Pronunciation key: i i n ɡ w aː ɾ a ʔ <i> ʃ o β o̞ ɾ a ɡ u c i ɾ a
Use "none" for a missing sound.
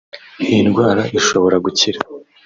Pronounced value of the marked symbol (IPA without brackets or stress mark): i